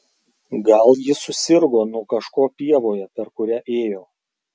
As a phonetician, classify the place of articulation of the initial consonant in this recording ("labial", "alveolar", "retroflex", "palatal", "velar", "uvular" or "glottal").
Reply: velar